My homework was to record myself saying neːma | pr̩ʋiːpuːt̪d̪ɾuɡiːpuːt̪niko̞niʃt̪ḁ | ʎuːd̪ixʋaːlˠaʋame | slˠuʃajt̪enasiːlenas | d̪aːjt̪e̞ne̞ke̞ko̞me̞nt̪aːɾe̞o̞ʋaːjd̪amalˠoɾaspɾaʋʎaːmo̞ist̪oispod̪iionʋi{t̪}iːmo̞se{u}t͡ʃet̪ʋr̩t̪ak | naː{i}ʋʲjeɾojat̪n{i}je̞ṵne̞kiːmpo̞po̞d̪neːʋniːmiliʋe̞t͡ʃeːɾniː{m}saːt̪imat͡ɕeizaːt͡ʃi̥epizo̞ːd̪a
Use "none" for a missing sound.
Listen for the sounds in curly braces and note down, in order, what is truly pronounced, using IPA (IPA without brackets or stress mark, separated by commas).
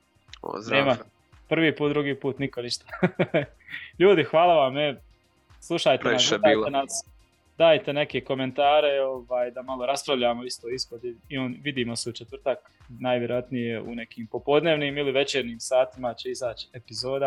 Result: d̪, u, j, i, m